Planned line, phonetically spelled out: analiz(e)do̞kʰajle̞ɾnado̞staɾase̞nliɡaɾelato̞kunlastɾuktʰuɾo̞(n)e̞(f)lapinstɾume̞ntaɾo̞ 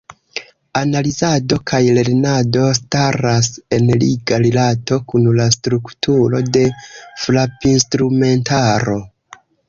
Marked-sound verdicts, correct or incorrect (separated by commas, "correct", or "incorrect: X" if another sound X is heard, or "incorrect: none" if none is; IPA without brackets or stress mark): incorrect: a, incorrect: d, correct